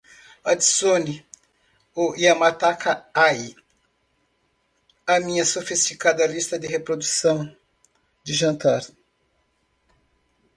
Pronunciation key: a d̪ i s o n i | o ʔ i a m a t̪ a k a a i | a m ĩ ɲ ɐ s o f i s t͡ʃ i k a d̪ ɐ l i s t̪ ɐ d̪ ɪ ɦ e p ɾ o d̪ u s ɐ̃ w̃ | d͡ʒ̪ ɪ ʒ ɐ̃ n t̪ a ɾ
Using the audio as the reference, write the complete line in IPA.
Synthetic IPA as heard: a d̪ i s o n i | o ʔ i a m a t̪ a k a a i | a m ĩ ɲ ɐ s o f i s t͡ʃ i k a d̪ ɐ l i s t̪ ɐ d̪ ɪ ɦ e p ɾ o d̪ u s ɐ̃ w̃ | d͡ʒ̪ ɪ ʒ ɐ̃ n t̪ a ɾ